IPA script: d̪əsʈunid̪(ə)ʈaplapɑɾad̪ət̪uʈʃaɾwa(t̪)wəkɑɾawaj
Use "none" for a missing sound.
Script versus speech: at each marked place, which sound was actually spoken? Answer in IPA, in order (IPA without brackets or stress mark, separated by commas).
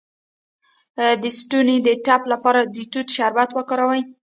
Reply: ə, t̪